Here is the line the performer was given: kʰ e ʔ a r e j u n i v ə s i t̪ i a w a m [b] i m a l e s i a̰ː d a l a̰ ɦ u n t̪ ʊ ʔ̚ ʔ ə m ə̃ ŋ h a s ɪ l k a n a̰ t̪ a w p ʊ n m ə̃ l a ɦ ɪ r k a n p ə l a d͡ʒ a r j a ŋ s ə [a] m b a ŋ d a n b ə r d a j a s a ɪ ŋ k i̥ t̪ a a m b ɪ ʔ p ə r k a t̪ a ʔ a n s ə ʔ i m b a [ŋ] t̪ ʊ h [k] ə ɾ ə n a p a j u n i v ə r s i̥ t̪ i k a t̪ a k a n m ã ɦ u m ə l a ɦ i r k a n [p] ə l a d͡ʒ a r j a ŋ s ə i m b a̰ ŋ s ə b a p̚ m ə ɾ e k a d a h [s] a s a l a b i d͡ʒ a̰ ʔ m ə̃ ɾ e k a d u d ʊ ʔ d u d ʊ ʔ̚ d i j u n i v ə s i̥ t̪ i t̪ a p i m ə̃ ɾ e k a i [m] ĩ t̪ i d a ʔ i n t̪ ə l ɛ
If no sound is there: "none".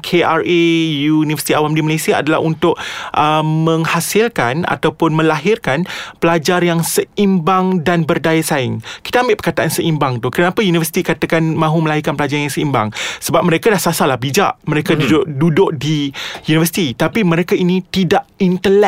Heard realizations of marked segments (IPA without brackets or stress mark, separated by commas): d, i, ŋ, k, p, s, n